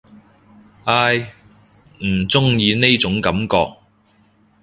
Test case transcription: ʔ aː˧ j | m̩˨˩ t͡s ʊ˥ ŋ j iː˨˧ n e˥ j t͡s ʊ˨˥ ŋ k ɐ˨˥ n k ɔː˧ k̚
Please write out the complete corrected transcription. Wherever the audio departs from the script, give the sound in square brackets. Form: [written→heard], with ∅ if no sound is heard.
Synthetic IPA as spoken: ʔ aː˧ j | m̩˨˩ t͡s ʊ˥ ŋ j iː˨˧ n e˥ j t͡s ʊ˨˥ ŋ k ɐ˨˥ [n→m] k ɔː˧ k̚